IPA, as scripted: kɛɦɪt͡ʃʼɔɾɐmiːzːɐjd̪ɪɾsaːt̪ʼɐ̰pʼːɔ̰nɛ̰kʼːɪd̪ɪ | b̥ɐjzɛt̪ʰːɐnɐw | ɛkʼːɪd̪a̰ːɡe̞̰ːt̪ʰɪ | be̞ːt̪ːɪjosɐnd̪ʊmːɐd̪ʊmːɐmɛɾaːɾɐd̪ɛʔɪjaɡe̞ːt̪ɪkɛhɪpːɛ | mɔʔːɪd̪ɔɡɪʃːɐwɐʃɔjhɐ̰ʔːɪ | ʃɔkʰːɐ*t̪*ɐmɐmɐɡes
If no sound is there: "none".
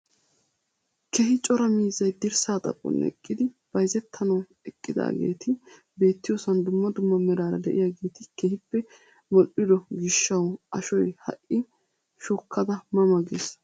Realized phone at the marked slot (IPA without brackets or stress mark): d̪